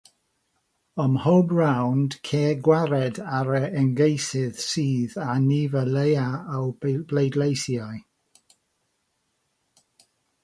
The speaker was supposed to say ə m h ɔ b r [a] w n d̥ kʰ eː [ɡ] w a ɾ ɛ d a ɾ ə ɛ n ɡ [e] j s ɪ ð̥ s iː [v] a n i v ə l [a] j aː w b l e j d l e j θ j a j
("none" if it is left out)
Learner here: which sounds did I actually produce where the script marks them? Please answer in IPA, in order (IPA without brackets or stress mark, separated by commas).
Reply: a, ɡ, e, ð, e